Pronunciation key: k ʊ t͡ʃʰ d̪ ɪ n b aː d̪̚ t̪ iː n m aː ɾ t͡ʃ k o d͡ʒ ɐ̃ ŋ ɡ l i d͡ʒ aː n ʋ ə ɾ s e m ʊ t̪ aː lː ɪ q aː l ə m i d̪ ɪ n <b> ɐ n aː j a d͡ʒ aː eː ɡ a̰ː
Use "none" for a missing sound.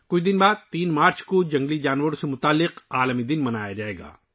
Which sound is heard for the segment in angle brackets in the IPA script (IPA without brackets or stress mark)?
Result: m